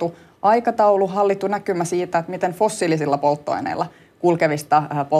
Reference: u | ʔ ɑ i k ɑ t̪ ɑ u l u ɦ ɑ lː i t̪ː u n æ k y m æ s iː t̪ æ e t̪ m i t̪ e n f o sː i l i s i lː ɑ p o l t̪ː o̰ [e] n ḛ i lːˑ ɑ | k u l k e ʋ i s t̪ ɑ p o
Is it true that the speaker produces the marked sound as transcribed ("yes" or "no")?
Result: no